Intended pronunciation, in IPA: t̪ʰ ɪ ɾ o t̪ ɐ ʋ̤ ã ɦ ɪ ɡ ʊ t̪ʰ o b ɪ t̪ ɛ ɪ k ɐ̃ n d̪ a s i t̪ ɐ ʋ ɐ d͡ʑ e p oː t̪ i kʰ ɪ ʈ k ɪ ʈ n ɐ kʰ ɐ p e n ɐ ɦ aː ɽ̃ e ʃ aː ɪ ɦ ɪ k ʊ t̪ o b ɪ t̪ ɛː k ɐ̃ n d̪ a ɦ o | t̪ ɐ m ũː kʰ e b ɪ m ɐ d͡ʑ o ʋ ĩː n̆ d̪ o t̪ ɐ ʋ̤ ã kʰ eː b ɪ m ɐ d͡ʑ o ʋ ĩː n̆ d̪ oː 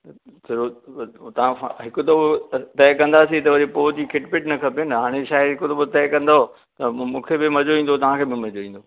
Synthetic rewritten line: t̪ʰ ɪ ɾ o t̪ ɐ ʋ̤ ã ɦ ɪ k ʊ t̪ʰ o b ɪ t̪ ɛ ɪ k ɐ̃ n d̪ a s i t̪ ɐ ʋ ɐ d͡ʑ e p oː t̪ i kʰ ɪ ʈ p ɪ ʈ n ɐ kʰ ɐ p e n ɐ ɦ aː ɽ̃ e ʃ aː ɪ ɦ ɪ k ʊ t̪ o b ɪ t̪ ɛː k ɐ̃ n d̪ a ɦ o | t̪ ɐ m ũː kʰ e b ɪ m ɐ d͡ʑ o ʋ ĩː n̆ d̪ o t̪ ɐ ʋ̤ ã kʰ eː b ɪ m ɐ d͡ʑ o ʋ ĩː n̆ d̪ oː

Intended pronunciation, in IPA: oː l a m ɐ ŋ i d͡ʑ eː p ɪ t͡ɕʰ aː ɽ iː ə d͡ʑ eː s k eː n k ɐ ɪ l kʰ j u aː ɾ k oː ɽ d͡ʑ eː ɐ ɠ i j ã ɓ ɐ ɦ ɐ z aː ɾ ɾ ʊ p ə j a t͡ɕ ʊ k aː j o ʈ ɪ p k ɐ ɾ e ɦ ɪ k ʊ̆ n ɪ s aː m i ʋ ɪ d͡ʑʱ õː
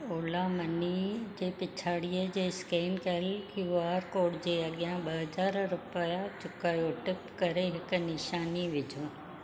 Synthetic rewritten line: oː l a m ɐ n i d͡ʑ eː p ɪ t͡ɕʰ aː ɽ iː ə d͡ʑ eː s k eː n k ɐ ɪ l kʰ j u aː ɾ k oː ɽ d͡ʑ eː ɐ ɠ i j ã ɓ ɐ ɦ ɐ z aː ɾ ɾ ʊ p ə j a t͡ɕ ʊ k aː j o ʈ ɪ p k ɐ ɾ e ɦ ɪ k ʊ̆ n ɪ ʃ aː n i ʋ ɪ d͡ʑʱ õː

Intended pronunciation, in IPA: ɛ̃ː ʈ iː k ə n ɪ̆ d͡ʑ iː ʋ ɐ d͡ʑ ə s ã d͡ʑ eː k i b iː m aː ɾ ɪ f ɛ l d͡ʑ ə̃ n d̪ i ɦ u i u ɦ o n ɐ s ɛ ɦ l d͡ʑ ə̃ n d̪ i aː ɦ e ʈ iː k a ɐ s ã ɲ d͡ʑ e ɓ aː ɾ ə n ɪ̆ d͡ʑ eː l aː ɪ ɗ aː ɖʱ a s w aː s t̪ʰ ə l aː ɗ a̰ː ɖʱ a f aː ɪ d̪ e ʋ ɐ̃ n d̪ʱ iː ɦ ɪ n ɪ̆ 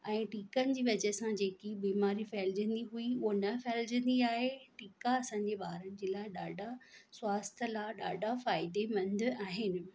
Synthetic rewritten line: ɛ̃ː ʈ iː k ə n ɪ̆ d͡ʑ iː ʋ ɐ d͡ʑ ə s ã d͡ʑ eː k i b iː m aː ɾ i f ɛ l d͡ʑ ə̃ n d̪ i ɦ u i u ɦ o n ɐ f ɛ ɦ l d͡ʑ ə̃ n d̪ i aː ɦ e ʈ iː k a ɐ s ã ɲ d͡ʑ e ɓ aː ɾ ə n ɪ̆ d͡ʑ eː l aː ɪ ɗ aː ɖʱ a s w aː s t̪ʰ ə l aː ɗ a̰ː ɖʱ a f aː ɪ d̪ e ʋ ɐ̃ n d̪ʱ aː ɦ ɪ n ɪ̆

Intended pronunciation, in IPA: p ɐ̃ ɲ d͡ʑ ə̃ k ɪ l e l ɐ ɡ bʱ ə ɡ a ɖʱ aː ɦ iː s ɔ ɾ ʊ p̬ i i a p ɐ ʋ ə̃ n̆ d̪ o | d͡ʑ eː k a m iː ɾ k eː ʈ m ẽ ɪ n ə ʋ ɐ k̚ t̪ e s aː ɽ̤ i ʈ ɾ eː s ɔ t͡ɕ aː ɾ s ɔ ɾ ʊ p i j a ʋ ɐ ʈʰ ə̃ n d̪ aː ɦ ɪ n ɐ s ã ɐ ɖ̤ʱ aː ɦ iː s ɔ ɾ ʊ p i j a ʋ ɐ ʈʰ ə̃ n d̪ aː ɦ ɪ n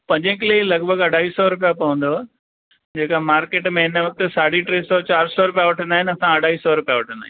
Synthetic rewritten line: p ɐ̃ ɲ d͡ʑ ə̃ k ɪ l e l ɐ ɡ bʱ ə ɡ ɐ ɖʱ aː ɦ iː s ɔ ɾ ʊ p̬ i j a p ɐ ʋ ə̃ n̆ d̪ o | d͡ʑ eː k a m aː ɾ k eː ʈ m ẽ ɪ n ə ʋ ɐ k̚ t̪ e s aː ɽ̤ i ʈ ɾ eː s ɔ t͡ɕ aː ɾ s ɔ ɾ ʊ p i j a ʋ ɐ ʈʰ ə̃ n d̪ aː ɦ ɪ n ɐ s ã ɐ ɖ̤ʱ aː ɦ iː s ɔ ɾ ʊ p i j a ʋ ɐ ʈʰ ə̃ n d̪ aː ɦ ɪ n

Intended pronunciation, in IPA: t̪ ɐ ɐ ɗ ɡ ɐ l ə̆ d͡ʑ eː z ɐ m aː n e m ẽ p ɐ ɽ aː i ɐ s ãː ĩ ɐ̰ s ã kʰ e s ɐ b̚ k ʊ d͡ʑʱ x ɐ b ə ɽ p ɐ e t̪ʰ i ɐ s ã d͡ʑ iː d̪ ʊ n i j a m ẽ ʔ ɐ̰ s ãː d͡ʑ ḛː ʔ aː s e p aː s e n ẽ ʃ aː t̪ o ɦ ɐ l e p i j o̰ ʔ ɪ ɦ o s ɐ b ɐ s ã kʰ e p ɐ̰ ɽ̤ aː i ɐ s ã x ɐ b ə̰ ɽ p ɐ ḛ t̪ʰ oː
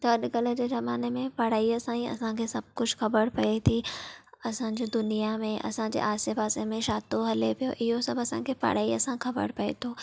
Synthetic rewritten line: t̪ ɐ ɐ ɗ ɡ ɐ l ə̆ d͡ʑ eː z ɐ m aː n e m ẽ p ɐ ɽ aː i ɐ s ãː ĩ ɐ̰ s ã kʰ e s ɐ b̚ k ʊ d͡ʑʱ x ɐ b ə ɽ p ɐ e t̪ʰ i ɐ s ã d͡ʑ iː d̪ ʊ n i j a m ẽ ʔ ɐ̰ s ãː d͡ʑ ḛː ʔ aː s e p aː s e m ẽ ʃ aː t̪ o ɦ ɐ l e p i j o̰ ʔ ɪ ɦ o s ɐ b ɐ s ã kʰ e p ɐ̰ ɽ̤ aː i ɐ s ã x ɐ b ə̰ ɽ p ɐ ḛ t̪ʰ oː

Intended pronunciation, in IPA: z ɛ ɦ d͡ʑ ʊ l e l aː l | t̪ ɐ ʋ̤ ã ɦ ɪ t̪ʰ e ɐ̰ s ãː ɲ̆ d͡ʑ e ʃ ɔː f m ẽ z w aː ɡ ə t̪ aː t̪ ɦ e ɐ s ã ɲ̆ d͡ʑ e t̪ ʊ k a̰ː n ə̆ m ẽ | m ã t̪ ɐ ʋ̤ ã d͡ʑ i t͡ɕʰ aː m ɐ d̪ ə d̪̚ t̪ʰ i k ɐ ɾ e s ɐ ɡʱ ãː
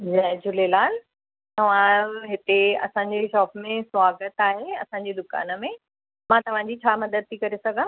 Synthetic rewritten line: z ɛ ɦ d͡ʑ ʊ l e l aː l | t̪ ɐ ʋ̤ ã ɦ ɪ t̪ e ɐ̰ s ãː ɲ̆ d͡ʑ e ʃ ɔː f m ẽ s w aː ɡ ə t̪ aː ɦ e ɐ s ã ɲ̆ d͡ʑ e d̪ ʊ k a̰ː n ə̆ m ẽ | m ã t̪ ɐ ʋ̤ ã d͡ʑ i t͡ɕʰ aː m ɐ d̪ ə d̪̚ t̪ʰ i k ɐ ɾ e s ɐ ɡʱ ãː

